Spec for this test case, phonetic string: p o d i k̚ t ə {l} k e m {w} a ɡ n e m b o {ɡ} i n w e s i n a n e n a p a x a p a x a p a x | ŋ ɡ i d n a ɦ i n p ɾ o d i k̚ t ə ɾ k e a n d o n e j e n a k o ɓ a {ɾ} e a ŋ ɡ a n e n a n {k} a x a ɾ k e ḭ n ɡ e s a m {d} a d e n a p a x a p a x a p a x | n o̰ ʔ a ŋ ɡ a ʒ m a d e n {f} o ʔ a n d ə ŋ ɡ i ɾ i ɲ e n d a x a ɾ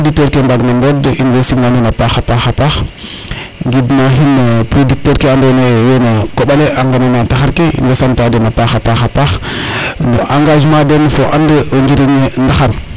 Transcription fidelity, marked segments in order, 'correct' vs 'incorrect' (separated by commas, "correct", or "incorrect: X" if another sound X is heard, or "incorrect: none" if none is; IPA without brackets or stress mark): incorrect: ɾ, incorrect: b, incorrect: d, incorrect: l, incorrect: t, incorrect: t, correct